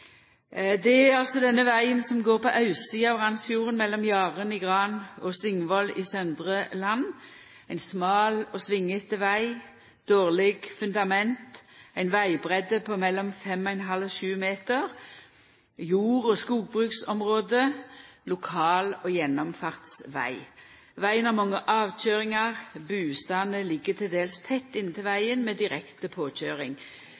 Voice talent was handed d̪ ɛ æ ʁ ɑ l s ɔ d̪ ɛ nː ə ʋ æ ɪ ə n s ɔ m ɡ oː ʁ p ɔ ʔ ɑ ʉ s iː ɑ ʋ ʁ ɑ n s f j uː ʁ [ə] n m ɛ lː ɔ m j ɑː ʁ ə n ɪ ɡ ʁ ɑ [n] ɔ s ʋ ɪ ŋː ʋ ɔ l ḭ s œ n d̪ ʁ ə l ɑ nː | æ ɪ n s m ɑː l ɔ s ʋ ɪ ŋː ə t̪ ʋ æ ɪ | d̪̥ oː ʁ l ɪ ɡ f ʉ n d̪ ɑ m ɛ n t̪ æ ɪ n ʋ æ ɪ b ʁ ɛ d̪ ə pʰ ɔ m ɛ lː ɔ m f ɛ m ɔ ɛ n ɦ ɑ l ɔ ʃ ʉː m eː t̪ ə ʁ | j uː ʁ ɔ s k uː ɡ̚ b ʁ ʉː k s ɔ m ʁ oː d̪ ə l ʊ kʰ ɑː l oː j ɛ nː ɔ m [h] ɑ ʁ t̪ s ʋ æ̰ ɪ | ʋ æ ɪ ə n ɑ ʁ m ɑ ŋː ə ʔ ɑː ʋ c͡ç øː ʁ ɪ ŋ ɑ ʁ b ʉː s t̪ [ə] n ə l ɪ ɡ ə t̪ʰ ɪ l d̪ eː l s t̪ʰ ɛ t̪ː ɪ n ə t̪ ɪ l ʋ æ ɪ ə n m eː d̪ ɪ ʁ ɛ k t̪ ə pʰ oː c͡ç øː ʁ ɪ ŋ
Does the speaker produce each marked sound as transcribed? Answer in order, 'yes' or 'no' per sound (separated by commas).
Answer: yes, yes, no, no